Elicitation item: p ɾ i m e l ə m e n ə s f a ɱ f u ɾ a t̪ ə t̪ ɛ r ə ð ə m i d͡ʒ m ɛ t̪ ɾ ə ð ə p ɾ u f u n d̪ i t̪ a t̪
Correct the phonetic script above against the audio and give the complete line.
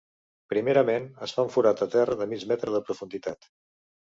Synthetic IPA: p ɾ i m e ɾ ə m e n ə s f a ɱ f u ɾ a t̪ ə t̪ ɛ r ə ð ə m i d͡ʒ m ɛ t̪ ɾ ə ð ə p ɾ u f u n d̪ i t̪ a t̪

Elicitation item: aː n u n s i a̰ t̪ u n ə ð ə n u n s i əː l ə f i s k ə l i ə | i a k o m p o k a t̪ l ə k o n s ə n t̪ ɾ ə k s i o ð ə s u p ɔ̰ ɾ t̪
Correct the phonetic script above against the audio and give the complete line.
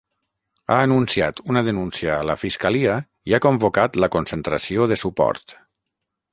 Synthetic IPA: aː n u n s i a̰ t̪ u n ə ð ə n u n s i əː l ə f i s k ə l i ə | i a k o m b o k a t̪ l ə k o n s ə n t̪ ɾ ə s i o ð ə s u p ɔ̰ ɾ t̪

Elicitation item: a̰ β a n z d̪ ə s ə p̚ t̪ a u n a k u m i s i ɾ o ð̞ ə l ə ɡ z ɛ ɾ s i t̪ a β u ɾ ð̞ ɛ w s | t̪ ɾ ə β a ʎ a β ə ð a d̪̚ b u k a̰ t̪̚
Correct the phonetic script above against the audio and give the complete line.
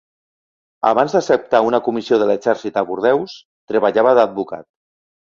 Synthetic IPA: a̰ β a n z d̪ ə s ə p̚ t̪ a u n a k u m i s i o ð̞ ə l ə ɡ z ɛ ɾ s i t̪ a β u ɾ ð̞ ɛ w s | t̪ ɾ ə β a ʎ a β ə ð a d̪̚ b u k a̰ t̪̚

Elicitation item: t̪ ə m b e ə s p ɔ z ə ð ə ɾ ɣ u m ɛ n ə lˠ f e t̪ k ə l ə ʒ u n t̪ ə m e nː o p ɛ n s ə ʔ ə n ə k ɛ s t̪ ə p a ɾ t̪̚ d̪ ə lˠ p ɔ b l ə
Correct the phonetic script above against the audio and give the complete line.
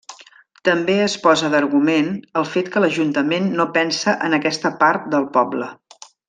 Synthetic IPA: t̪ ə m b e ə s p ɔ z ə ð ə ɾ ɣ u m e n ə lˠ f e t̪ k ə l ə ʒ u n t̪ ə m e nː o p ɛ n s ə ʔ ə n ə k ɛ s t̪ ə p a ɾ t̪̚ d̪ ə lˠ p ɔ b l ə

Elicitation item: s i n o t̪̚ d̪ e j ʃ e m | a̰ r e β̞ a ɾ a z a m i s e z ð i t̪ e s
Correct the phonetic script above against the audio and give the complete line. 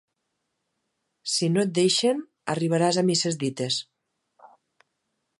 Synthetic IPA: s i n o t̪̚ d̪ e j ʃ e n | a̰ r i β̞ a ɾ a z a m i s e z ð i t̪ e s

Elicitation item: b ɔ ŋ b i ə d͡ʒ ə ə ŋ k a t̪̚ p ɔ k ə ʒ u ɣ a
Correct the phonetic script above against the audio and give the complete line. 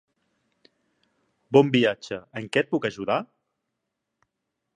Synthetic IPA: b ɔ m b i a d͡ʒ ə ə ŋ k ɛ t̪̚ p u k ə ʒ u ð a

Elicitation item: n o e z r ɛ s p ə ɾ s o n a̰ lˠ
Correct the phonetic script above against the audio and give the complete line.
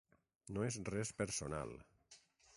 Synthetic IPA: n o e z r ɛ s p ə ɾ s o n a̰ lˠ

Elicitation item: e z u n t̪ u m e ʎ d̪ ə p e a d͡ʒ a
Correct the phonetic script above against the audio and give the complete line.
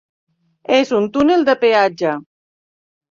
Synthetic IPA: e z u n t̪ u n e l d̪ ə p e a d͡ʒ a

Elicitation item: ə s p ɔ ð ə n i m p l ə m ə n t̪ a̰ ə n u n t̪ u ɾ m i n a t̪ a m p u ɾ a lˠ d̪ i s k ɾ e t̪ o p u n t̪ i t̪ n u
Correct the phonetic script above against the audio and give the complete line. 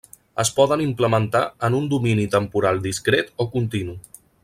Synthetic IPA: ə s p ɔ ð ə n i m p l ə m ə n t̪ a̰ ə n u n d̪ u m i n i t̪ ə m p u ɾ a lˠ d̪ i s k ɾ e t̪ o k u n t̪ i n u

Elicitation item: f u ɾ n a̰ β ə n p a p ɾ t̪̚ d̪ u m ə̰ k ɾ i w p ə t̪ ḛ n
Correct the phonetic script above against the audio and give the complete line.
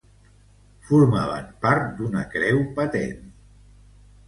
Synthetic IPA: f u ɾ m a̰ β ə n p a ɾ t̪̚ d̪ u n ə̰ k ɾ ɛ w p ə t̪ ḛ n

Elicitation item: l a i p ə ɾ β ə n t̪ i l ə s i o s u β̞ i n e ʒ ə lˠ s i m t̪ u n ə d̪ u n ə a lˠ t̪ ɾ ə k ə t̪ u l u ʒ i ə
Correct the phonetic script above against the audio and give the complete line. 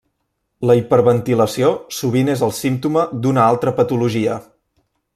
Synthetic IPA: l ə i p ə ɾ β ə n t̪ i l ə s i o s u β̞ i n e z ə lˠ s i m t̪ u m ə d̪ u n ə a lˠ t̪ ɾ ə p ə t̪ u l u ʒ i ə

